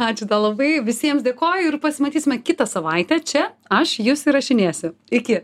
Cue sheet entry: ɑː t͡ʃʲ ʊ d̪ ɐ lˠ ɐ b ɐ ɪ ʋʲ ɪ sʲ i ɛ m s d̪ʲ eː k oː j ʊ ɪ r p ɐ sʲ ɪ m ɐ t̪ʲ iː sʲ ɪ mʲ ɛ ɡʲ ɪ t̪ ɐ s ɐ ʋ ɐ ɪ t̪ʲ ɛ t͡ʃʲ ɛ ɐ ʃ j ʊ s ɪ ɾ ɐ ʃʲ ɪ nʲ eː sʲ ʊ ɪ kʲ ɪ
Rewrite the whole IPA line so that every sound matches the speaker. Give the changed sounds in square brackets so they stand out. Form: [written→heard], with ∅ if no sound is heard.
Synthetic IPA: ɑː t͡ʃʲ ʊ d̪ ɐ lˠ ɐ b ɐ ɪ ʋʲ ɪ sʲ i ɛ m s d̪ʲ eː k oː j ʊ ɪ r p ɐ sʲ ɪ m ɐ t̪ʲ iː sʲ ɪ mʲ ɛ [ɡʲ→kʲ] ɪ t̪ ɐ s ɐ ʋ ɐ ɪ t̪ʲ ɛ t͡ʃʲ ɛ ɐ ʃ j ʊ s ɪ ɾ ɐ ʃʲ ɪ nʲ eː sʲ ʊ ɪ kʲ ɪ